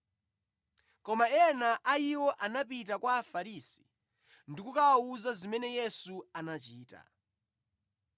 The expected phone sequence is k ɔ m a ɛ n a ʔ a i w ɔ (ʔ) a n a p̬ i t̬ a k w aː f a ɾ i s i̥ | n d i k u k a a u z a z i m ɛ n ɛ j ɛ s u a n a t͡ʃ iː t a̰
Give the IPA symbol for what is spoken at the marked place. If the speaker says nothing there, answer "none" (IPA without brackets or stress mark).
ʔ